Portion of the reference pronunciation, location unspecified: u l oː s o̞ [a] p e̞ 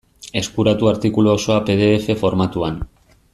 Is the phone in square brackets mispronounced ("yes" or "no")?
no